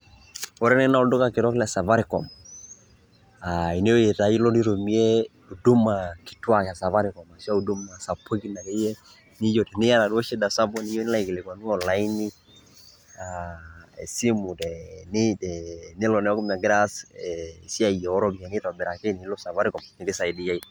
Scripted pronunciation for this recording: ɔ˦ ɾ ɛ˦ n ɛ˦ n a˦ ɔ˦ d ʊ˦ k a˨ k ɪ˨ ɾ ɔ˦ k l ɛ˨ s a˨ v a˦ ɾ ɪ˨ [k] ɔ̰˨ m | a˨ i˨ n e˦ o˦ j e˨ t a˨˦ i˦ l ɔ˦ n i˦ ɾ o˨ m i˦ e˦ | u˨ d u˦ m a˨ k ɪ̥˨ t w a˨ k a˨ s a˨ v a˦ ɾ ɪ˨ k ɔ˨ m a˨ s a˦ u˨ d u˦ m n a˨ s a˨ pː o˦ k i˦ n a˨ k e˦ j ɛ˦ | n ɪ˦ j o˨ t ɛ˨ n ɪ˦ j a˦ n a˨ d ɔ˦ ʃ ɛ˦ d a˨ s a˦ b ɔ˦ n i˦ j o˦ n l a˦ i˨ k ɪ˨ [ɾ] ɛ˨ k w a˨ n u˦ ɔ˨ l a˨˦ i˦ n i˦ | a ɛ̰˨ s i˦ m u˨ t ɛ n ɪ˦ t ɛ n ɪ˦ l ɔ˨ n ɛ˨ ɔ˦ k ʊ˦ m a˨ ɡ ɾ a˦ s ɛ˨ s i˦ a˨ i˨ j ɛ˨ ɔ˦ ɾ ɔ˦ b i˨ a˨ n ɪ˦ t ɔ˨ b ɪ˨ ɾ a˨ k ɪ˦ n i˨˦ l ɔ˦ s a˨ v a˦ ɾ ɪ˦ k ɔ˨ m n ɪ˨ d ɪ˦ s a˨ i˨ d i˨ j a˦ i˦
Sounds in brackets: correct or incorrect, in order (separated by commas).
correct, incorrect